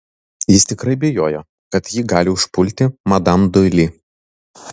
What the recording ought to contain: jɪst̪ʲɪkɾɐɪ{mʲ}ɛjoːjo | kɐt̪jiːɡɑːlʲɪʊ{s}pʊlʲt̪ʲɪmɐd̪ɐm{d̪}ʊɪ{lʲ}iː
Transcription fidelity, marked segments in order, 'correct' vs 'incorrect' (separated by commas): incorrect, incorrect, correct, correct